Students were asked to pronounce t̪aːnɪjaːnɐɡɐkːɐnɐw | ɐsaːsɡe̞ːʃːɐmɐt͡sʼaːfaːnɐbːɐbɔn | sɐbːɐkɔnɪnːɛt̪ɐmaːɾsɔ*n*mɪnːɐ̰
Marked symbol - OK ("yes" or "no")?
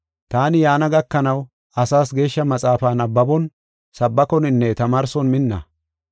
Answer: yes